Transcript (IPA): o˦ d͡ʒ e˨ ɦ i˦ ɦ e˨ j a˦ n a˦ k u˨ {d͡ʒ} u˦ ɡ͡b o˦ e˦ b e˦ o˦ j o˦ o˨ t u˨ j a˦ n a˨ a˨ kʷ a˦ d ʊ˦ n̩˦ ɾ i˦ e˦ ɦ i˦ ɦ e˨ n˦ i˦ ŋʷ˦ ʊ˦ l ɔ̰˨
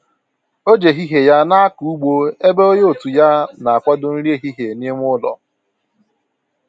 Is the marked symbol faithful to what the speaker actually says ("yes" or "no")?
no